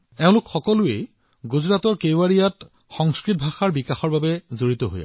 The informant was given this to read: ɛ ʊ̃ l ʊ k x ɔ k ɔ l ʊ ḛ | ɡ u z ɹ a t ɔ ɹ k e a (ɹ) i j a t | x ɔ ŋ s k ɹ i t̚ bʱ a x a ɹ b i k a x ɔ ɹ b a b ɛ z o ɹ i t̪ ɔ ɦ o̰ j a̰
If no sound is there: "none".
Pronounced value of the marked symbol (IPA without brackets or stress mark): ɹ